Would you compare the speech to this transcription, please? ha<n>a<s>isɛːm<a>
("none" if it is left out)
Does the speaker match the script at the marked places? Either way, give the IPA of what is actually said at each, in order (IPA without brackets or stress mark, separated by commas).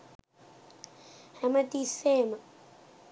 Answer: m, t, a